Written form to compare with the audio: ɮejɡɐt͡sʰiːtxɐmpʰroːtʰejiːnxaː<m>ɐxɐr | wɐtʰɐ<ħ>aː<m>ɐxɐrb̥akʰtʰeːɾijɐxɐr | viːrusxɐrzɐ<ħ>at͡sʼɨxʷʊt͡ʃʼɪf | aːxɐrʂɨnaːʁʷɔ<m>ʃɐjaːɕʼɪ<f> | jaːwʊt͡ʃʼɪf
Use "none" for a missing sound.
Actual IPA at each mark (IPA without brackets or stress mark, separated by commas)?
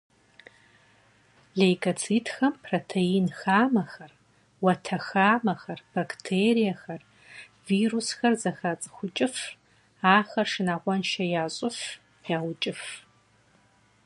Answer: m, x, m, x, n, f